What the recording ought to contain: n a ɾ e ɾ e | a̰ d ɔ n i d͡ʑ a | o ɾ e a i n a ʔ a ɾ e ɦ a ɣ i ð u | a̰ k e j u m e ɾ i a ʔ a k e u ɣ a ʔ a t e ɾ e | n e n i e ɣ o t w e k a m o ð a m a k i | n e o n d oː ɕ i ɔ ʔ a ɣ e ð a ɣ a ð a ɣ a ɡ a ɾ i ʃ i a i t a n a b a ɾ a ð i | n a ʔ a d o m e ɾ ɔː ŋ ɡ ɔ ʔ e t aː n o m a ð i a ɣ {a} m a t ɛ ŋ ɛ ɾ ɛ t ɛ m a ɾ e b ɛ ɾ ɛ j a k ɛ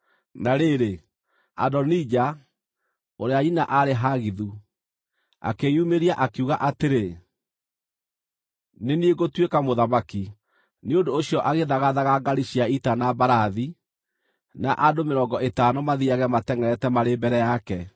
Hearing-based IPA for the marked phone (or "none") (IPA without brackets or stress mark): ɛ